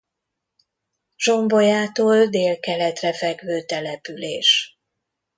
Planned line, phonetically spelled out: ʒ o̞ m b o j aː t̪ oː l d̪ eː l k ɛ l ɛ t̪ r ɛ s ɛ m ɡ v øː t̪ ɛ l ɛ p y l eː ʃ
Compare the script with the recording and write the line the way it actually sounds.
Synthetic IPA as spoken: ʒ o̞ m b o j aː t̪ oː l d̪ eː l k ɛ l ɛ t̪ r ɛ f ɛ ɡ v øː t̪ ɛ l ɛ p y l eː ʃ

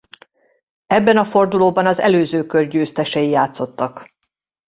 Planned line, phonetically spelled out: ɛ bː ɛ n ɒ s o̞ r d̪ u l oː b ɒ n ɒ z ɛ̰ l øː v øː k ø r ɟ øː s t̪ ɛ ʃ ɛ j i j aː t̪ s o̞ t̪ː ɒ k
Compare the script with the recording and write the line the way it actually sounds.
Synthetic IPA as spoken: ɛ bː ɛ n ɒ f o̞ r d̪ u l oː b ɒ n ɒ z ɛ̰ l øː z øː k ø r ɟ øː s t̪ ɛ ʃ ɛ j i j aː t̪ s o̞ t̪ː ɒ k

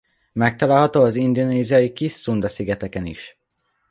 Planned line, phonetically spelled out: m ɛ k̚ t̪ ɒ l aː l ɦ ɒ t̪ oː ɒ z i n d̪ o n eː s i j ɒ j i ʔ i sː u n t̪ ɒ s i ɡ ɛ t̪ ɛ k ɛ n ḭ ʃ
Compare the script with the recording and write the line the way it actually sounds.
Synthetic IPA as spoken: m ɛ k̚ t̪ ɒ l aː l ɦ ɒ t̪ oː ɒ z i n d̪ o n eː z i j ɒ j i k i sː u n d̪ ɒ s i ɡ ɛ t̪ ɛ k ɛ n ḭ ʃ

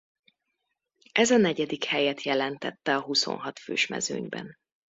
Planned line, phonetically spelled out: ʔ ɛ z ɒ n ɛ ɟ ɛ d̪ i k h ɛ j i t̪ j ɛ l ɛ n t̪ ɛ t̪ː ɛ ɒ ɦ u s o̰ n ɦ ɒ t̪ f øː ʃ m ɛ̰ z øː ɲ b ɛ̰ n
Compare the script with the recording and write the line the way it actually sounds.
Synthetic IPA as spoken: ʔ ɛ z ɒ n ɛ ɟ ɛ d̪ i k h ɛ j ɛ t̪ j ɛ l ɛ n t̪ ɛ t̪ː ɛ ɒ ɦ u s o̰ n ɦ ɒ t̪ f øː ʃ m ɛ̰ z øː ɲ b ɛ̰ n

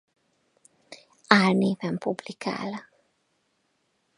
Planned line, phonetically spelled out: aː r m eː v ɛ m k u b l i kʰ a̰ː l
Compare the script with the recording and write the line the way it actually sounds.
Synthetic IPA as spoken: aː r n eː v ɛ m p u b l i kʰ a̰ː l

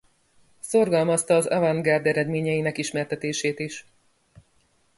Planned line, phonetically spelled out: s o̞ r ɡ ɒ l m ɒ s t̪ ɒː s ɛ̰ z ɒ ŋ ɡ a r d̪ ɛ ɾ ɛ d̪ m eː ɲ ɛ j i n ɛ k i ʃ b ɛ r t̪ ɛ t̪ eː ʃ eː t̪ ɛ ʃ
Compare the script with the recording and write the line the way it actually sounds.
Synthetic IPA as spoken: s o̞ r ɡ ɒ l m ɒ s t̪ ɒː z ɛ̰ v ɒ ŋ ɡ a r d̪ ɛ ɾ ɛ d̪ m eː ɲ ɛ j i n ɛ k i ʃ m ɛ r t̪ ɛ t̪ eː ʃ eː t̪ i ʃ

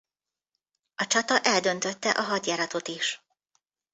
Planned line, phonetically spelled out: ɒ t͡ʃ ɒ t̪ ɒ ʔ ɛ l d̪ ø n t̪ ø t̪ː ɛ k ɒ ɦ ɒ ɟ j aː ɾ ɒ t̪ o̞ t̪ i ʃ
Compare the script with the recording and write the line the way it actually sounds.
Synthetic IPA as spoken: ɒ t͡ʃ ɒ t̪ ɒ ʔ ɛ l d̪ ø n t̪ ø t̪ː ɛ ʔ ɒ ɦ ɒ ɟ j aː ɾ ɒ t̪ o̞ t̪ i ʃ

